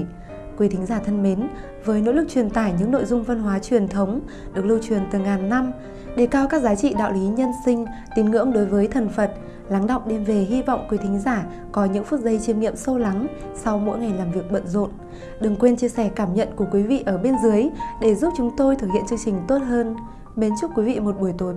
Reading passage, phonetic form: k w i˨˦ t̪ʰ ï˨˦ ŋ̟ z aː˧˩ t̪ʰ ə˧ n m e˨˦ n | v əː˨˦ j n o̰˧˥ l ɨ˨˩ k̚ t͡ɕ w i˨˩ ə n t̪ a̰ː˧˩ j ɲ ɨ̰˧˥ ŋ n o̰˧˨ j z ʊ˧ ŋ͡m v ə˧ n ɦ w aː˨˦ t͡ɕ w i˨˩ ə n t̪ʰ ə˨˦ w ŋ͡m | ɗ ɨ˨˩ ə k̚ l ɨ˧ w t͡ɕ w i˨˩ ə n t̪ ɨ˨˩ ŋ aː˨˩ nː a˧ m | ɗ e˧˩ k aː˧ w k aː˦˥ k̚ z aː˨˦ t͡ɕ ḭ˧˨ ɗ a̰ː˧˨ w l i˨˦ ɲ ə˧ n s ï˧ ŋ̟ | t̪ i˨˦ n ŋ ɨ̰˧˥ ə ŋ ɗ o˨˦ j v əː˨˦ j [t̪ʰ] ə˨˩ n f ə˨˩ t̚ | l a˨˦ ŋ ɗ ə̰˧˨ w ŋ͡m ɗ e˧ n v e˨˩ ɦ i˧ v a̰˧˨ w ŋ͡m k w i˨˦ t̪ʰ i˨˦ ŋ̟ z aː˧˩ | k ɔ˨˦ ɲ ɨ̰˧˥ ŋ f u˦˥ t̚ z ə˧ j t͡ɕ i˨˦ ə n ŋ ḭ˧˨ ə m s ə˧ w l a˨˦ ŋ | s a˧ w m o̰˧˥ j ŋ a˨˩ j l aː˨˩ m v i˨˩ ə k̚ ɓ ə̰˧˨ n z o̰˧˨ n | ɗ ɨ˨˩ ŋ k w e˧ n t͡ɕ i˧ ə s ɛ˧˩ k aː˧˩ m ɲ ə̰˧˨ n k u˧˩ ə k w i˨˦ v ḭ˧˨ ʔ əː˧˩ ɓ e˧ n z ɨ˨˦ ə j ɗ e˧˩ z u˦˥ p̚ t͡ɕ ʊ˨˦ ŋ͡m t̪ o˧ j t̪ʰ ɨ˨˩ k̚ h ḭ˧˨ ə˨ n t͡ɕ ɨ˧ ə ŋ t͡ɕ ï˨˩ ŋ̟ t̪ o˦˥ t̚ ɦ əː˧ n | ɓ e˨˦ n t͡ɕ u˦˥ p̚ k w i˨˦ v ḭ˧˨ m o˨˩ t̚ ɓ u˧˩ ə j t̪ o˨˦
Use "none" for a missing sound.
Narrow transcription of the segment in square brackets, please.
t̪ʰ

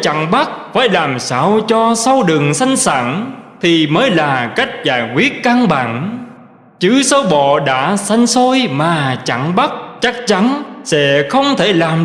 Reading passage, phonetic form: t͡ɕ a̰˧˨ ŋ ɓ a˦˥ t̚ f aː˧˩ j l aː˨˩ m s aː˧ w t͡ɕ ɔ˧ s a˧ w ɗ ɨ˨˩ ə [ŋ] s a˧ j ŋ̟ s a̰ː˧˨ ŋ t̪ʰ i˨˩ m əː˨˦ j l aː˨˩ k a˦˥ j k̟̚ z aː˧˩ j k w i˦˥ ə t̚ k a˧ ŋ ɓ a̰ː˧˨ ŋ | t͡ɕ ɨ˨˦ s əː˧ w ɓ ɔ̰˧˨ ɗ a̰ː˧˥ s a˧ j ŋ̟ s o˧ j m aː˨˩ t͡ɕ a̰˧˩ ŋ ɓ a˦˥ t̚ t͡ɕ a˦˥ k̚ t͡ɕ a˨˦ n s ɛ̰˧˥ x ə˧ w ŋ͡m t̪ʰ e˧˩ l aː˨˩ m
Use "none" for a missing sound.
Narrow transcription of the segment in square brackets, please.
ŋ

